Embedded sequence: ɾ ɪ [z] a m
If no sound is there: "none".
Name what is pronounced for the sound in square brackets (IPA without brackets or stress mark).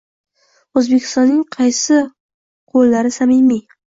s